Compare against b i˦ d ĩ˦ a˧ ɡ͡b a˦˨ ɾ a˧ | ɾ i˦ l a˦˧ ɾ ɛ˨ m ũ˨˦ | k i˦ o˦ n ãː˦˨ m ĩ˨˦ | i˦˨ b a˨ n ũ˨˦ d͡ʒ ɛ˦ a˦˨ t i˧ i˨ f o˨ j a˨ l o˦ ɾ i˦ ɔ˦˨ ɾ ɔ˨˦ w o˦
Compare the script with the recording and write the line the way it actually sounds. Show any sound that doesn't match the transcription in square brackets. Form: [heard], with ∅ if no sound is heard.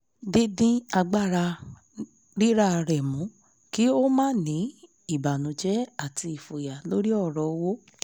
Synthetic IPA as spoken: [d] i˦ d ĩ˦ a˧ ɡ͡b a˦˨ ɾ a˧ | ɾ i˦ [ɾ] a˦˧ ɾ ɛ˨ m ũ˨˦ | k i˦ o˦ [m] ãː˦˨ [n] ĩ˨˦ | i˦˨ b a˨ n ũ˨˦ d͡ʒ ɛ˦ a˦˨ t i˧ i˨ f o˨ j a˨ l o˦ ɾ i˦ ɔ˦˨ ɾ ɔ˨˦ w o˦